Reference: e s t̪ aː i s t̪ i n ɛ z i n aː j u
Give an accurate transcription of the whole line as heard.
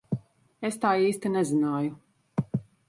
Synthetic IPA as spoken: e s t̪ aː iː s t̪ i n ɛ z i n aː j u